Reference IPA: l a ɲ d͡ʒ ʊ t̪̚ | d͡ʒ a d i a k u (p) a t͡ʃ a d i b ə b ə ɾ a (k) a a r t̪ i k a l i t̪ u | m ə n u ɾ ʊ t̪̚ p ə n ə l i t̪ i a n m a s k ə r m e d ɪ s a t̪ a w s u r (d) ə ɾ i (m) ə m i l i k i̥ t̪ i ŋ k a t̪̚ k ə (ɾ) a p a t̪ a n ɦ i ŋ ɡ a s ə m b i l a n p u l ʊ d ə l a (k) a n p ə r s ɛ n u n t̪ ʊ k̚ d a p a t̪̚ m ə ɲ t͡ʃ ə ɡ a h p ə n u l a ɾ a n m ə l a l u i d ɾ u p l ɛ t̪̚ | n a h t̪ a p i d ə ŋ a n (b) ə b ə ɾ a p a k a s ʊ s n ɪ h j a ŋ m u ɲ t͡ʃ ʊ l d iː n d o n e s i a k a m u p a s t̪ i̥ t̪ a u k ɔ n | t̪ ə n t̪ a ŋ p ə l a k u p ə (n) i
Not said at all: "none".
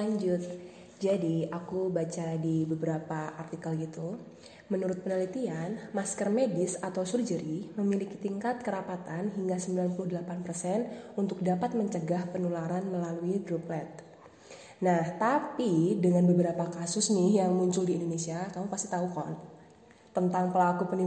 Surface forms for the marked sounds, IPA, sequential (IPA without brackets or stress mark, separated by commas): b, p, d͡ʒ, m, ɾ, p, b, n